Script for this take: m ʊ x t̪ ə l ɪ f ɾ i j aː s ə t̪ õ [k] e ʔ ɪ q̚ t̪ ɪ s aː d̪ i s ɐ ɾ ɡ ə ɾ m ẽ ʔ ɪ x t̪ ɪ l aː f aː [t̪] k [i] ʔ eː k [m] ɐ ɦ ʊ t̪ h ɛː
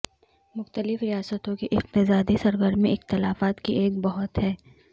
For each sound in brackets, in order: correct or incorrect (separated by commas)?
correct, correct, correct, incorrect